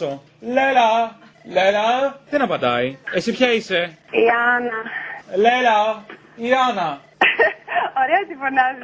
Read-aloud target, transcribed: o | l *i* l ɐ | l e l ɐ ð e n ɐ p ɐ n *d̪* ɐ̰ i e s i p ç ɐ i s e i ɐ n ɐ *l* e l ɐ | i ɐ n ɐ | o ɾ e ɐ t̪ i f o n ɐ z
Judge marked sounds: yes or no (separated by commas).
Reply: no, yes, yes